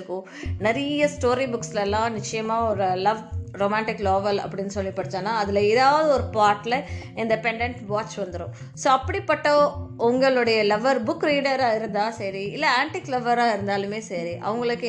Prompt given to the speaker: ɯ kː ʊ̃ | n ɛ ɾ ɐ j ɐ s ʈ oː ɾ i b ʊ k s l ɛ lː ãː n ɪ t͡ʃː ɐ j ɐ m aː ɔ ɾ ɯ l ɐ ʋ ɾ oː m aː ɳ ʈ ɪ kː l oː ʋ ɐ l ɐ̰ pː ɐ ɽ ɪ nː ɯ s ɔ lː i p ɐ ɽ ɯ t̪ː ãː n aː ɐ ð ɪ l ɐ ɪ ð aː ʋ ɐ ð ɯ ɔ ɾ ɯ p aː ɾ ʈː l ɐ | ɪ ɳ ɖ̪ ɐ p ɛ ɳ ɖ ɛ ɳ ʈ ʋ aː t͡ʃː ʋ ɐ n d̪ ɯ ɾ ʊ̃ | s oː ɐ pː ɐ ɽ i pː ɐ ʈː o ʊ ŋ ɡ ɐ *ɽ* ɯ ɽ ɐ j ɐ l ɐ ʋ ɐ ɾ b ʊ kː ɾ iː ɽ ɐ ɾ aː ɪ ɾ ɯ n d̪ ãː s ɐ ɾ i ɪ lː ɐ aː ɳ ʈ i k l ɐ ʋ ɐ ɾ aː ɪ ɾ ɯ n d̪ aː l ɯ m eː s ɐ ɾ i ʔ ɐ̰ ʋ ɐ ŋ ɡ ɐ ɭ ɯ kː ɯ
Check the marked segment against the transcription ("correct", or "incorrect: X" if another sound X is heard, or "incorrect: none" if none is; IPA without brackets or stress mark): incorrect: ɭ